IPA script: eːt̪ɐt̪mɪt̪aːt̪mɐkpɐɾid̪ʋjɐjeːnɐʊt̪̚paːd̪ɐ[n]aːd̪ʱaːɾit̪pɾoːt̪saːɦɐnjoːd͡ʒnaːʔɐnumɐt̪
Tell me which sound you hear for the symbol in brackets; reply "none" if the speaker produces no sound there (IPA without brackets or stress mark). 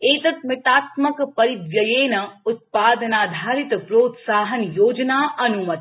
n